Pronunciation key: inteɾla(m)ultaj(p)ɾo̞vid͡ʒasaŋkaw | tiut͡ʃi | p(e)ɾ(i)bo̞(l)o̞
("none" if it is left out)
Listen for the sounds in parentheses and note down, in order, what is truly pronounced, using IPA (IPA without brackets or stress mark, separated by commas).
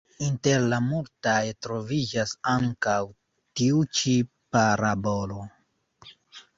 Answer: m, t, a, a, l